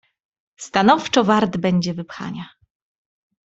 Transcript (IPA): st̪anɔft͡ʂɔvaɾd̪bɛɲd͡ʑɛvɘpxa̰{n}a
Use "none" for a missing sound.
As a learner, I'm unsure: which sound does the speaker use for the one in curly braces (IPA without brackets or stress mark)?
ɲ